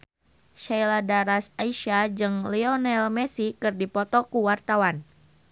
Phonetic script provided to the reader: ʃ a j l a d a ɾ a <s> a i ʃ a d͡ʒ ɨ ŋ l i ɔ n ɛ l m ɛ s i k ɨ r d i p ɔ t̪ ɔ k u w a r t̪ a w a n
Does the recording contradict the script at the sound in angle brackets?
no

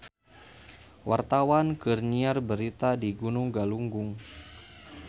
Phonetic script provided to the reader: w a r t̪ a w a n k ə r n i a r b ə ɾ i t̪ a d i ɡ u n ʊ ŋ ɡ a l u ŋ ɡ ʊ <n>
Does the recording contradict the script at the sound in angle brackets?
yes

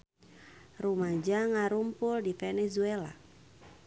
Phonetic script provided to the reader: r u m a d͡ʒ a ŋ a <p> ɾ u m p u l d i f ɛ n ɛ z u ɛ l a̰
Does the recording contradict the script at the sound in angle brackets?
yes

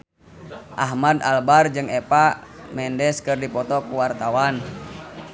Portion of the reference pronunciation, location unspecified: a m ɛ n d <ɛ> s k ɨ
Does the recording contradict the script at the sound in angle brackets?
no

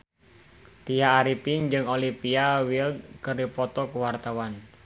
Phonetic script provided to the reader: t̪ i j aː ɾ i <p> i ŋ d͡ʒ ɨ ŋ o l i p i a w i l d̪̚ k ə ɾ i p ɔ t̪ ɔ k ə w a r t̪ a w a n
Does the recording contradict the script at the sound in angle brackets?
no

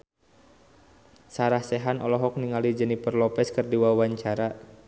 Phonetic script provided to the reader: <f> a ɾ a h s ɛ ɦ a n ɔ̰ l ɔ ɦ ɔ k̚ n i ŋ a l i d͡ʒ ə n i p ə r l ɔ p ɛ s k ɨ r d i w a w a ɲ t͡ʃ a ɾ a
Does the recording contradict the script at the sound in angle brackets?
yes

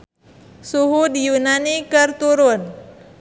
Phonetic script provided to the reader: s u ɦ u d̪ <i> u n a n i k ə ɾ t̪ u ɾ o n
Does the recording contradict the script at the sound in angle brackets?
yes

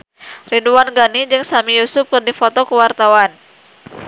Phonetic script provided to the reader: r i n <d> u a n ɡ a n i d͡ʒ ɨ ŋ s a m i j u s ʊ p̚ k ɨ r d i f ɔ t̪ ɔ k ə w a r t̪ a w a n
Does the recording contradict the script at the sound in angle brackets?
no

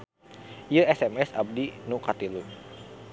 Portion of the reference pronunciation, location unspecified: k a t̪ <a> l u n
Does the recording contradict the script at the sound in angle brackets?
yes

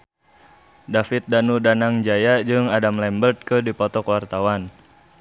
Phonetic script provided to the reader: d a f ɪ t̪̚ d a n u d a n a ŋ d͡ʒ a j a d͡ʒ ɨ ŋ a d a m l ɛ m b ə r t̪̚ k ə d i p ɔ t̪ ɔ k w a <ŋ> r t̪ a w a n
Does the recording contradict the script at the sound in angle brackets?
yes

